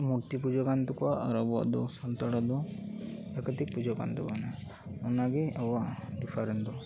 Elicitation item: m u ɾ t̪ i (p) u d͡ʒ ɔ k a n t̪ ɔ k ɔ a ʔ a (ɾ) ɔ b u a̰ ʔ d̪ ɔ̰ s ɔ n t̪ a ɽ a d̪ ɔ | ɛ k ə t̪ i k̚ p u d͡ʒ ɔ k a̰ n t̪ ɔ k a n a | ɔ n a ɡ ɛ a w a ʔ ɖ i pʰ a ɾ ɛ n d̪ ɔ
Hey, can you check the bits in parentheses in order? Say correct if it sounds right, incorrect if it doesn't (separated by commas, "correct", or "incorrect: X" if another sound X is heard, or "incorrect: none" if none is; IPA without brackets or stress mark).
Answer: correct, correct